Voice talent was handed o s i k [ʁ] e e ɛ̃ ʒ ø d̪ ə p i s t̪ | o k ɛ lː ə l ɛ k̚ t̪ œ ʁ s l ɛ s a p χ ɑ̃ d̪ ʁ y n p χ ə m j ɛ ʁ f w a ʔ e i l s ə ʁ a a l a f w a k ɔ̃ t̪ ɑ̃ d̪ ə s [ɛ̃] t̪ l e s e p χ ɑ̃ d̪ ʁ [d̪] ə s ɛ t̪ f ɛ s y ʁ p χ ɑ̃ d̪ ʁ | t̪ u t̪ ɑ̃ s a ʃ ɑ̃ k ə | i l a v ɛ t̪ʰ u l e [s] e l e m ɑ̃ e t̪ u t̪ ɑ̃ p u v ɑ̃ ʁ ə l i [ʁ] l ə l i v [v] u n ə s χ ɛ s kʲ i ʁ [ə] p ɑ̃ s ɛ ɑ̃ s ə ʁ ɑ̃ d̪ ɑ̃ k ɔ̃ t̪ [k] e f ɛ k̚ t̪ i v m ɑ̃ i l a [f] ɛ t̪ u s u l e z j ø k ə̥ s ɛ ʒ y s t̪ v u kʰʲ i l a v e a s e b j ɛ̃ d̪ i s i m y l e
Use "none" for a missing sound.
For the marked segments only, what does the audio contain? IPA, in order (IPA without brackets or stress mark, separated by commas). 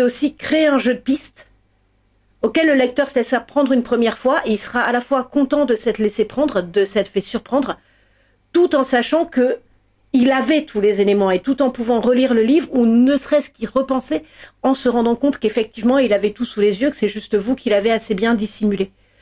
χ, ɛ, d̪, z, ʁ, ʁ, ə, k, v